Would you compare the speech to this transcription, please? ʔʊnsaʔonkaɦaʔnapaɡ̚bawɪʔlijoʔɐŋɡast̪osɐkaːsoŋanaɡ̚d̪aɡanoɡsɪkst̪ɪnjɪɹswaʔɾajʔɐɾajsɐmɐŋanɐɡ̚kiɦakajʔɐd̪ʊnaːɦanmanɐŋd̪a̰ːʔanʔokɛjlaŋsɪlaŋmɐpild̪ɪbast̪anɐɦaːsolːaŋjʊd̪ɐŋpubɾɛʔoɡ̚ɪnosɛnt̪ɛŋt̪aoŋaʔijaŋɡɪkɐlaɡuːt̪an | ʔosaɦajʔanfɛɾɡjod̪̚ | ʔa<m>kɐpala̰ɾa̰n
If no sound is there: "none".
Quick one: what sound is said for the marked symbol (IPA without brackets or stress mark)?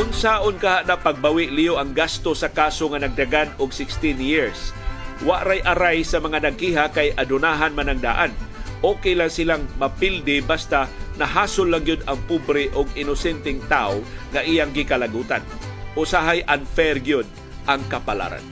ŋ